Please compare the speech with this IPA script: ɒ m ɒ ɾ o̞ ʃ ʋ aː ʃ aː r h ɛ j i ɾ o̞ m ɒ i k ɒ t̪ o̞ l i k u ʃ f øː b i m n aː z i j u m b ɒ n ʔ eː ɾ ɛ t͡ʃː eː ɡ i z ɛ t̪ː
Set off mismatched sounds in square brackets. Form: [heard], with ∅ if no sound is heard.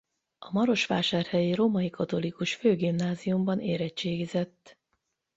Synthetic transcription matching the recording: ɒ m ɒ ɾ o̞ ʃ ʋ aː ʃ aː r h ɛ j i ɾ o̞ m ɒ i k ɒ t̪ o̞ l i k u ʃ f øː [ɡ] i m n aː z i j u m b ɒ n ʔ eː ɾ ɛ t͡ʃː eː ɡ i z ɛ t̪ː